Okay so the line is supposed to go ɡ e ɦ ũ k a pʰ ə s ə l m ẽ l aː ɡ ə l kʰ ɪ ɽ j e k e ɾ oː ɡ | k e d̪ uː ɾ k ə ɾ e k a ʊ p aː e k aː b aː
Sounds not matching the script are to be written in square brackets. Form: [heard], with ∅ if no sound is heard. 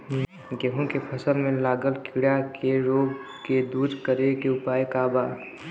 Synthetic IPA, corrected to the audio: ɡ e ɦ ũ k [e] pʰ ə s ə l m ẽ l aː ɡ ə l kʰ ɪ ɽ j [a] k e ɾ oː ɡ | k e d̪ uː ɾ k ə ɾ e k [e] ʊ p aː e k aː b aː